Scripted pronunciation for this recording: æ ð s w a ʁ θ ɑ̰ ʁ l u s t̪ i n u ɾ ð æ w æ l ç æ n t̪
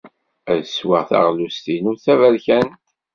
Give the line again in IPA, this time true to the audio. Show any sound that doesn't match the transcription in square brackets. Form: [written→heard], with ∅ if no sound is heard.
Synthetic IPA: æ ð s w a ʁ θ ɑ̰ ʁ l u s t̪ i n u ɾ [ð→θ] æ [w→v] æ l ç æ n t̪